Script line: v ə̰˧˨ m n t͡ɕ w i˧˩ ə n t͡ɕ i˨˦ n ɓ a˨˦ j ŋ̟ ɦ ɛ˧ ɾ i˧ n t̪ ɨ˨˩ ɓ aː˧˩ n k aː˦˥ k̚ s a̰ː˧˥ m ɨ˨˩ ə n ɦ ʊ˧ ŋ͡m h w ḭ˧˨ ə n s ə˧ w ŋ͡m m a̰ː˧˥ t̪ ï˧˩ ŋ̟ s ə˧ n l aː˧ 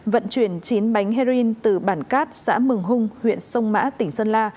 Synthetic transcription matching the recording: v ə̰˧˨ n t͡ɕ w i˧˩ ə n t͡ɕ i˨˦ n ɓ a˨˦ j ŋ̟ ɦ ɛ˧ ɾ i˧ n t̪ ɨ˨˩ ɓ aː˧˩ n k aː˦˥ t̚ s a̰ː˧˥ m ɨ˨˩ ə ŋ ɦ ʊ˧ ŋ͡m h w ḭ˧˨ ə n s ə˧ w ŋ͡m m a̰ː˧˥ t̪ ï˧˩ ŋ̟ s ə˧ n l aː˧